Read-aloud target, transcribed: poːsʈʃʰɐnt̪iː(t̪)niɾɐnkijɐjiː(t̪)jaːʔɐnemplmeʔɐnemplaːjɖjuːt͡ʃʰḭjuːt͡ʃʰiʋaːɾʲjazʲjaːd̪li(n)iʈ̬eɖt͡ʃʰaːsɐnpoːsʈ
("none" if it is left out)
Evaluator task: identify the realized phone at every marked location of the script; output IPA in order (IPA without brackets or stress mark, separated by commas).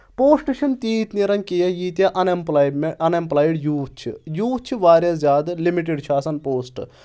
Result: t̪, t̪, m